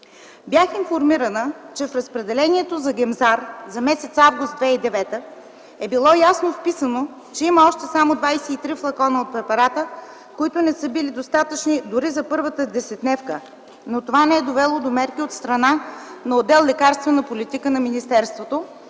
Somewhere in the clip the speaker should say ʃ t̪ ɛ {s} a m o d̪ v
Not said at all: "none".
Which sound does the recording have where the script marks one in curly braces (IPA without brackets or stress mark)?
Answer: s